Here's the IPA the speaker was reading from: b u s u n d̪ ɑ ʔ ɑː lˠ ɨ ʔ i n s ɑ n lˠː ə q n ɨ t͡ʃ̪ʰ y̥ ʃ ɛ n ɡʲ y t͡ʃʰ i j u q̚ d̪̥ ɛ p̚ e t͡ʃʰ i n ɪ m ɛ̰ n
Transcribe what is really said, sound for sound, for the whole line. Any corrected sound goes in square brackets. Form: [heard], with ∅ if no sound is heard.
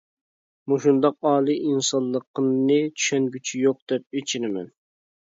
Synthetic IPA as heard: [m] u [ʃ] u n d̪ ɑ [q] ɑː lˠ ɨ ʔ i n s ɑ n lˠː ə q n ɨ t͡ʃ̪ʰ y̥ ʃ ɛ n ɡʲ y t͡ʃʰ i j [o] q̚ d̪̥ ɛ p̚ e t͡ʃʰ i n ɪ m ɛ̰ n